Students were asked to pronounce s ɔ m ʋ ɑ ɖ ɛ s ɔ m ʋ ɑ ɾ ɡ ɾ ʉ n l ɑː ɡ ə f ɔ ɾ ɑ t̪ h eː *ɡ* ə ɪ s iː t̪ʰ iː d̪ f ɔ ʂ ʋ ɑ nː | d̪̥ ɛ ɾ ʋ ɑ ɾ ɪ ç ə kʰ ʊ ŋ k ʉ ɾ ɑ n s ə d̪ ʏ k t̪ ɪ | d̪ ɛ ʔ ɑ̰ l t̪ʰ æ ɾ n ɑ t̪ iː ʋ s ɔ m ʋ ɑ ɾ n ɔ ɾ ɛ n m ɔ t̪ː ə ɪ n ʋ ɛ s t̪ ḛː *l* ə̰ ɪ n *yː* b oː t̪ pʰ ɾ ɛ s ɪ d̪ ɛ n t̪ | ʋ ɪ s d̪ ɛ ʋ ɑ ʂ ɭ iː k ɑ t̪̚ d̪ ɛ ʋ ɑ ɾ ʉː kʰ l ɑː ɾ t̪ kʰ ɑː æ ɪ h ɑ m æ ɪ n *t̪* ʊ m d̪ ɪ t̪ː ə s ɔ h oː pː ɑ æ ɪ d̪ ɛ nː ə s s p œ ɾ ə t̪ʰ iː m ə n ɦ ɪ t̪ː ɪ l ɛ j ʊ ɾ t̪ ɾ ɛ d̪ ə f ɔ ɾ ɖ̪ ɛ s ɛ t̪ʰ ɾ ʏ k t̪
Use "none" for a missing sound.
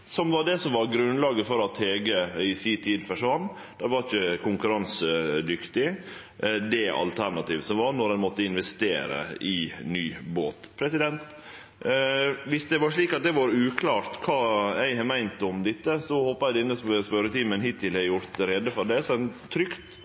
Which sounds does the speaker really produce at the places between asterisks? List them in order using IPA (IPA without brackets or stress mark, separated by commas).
ɡ, ɾ, yː, t̪